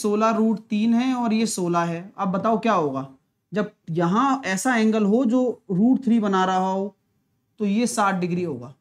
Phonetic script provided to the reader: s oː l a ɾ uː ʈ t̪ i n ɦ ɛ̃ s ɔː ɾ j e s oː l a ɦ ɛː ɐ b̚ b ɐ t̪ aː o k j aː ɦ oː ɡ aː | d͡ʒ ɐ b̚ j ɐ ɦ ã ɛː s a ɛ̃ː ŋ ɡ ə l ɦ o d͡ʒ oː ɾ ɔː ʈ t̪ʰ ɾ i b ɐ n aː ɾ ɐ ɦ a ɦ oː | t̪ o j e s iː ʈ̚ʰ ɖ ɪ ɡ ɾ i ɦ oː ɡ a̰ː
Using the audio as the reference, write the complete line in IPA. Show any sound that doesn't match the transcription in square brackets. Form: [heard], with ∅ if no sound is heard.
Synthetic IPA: s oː l a ɾ uː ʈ t̪ [iː] n ɦ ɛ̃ [∅] ɔː ɾ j e s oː l a ɦ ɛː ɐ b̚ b ɐ t̪ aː o k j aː ɦ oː ɡ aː | d͡ʒ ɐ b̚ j ɐ ɦ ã ɛː s a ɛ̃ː ŋ ɡ ə l ɦ o d͡ʒ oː ɾ [uː] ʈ t̪ʰ ɾ i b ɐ n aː ɾ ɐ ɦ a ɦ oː | t̪ o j e s [aː] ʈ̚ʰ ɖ ɪ ɡ ɾ i ɦ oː ɡ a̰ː